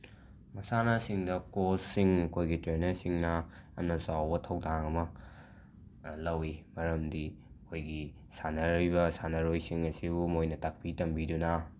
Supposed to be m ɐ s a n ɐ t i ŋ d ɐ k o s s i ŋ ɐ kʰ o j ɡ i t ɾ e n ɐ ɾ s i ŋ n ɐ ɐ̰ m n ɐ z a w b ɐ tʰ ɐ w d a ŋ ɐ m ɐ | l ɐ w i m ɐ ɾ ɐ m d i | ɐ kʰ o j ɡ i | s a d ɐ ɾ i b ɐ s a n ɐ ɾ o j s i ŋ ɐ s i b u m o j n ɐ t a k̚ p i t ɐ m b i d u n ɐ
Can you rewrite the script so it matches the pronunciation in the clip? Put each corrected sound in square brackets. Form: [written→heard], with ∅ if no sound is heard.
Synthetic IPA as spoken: m ɐ s a n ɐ [t→s] i ŋ d ɐ k o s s i ŋ ɐ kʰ o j ɡ i t ɾ e n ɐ ɾ s i ŋ n ɐ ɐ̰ m n ɐ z a w b ɐ tʰ ɐ w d a ŋ ɐ m ɐ | l ɐ w i m ɐ ɾ ɐ m d i | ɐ kʰ o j ɡ i | s a [d→n] ɐ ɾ i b ɐ s a n ɐ ɾ o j s i ŋ ɐ s i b u m o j n ɐ t a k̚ p i t ɐ m b i d u n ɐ

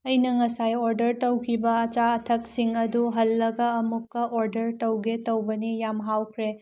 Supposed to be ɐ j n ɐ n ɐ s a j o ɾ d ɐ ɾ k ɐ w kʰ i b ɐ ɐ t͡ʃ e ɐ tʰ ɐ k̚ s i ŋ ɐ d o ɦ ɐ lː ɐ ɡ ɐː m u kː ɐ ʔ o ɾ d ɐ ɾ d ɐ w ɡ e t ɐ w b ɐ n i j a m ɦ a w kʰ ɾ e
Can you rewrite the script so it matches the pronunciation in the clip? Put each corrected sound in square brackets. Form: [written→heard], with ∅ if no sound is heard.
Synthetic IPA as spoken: ɐ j n ɐ [n→ŋ] ɐ s a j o ɾ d ɐ ɾ [k→t] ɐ w kʰ i b ɐ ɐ t͡ʃ [e→a] ɐ tʰ ɐ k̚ s i ŋ ɐ d [o→u] ɦ ɐ lː ɐ ɡ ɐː m u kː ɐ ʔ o ɾ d ɐ ɾ [d→t] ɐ w ɡ e t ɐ w b ɐ n i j a m ɦ a w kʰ ɾ e

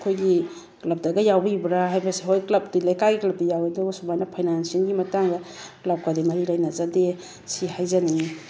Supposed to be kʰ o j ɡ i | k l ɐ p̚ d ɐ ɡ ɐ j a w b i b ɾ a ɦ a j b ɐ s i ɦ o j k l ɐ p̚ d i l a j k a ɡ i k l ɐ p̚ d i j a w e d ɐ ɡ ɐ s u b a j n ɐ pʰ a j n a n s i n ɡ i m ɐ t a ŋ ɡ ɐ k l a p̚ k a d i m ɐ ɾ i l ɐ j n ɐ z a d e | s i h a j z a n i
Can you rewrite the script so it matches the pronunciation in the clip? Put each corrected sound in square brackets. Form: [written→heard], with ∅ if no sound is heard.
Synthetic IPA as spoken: kʰ o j ɡ i | k l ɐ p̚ d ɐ ɡ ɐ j a w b i b ɾ a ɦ a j b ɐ s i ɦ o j k l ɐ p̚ d i l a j k a ɡ i k l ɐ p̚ d i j a w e d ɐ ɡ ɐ s u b a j n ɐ pʰ a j n a n s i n ɡ i m ɐ t a ŋ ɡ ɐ k l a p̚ k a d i m ɐ ɾ i l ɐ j n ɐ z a d e | s i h a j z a n i

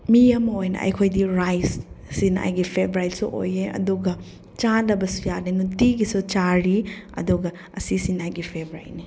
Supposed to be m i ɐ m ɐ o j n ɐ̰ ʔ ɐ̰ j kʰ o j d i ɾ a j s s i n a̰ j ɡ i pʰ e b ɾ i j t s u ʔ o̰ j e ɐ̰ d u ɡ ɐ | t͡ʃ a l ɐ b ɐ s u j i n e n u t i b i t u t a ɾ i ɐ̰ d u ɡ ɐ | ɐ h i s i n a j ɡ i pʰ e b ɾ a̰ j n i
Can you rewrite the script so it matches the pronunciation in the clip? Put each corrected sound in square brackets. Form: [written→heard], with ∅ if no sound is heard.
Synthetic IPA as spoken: m i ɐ m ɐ o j n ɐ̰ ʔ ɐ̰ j kʰ o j d i ɾ a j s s i n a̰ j ɡ i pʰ e b ɾ [i→a] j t s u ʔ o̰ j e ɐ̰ d u ɡ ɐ | t͡ʃ a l ɐ b ɐ s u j [i→a] n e n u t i [b→ɡ] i [t→s] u [t→t͡ʃ] a ɾ i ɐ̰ d u ɡ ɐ | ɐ [h→s] i s i n a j ɡ i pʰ e b ɾ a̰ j n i

